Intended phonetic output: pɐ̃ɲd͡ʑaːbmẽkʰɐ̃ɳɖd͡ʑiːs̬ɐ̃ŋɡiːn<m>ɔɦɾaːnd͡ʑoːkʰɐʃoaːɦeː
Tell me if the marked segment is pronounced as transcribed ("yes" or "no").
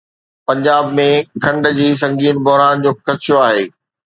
no